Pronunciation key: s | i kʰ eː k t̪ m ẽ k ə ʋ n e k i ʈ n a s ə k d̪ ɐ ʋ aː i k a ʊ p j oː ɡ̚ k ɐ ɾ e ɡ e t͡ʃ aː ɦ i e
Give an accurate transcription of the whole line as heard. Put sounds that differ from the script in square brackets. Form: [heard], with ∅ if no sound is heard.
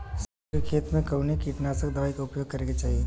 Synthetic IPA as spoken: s | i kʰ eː [∅] t̪ m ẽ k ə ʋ n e k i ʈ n a s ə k d̪ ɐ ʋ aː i k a ʊ p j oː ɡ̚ k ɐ ɾ e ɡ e t͡ʃ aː ɦ i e